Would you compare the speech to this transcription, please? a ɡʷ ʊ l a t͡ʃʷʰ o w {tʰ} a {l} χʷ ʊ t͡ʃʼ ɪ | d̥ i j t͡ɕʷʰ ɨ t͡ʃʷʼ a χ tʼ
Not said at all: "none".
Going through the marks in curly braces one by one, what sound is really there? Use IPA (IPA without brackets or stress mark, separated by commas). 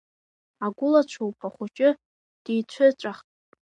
pʰ, none